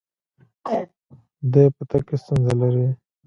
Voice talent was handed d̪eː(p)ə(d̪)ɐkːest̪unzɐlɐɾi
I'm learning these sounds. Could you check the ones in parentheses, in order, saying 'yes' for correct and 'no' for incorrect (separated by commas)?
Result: yes, no